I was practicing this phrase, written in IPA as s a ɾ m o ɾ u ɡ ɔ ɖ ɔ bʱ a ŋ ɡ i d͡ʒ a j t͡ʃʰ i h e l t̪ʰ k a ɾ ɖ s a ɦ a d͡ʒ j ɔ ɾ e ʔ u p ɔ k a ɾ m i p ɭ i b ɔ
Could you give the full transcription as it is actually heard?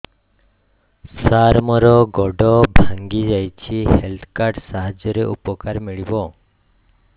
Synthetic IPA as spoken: s a ɾ m ɔ ɾ ɔ ɡ ɔ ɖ ɔ bʱ a ŋ ɡ i d͡ʒ a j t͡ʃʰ i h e l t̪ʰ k a ɾ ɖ s a ɦ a d͡ʒ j ɔ ɾ e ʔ u p ɔ k a ɾ m i ɭ i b ɔ